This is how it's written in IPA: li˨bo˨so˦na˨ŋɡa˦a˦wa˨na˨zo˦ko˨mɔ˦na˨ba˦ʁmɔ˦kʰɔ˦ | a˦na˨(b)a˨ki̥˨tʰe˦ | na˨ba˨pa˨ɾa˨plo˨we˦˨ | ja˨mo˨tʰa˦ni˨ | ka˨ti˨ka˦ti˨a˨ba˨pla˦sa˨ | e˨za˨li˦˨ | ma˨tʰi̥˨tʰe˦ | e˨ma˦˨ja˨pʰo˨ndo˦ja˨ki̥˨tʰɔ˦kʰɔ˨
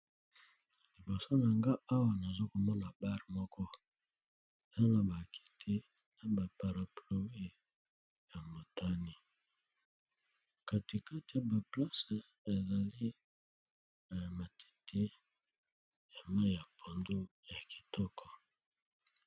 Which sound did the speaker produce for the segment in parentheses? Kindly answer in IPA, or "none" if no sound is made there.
b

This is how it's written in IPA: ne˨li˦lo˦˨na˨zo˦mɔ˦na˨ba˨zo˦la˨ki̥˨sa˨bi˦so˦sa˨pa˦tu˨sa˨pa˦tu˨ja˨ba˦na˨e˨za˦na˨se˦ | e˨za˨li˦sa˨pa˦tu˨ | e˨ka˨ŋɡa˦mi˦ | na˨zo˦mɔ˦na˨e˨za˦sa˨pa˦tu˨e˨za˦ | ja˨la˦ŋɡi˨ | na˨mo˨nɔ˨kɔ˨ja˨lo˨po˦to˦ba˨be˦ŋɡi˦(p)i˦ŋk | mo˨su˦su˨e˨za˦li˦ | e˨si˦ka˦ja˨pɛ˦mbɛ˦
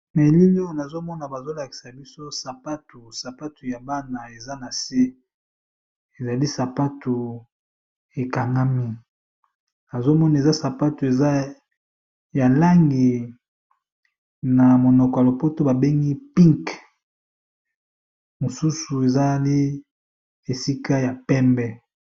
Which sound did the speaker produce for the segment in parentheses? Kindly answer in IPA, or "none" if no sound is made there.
p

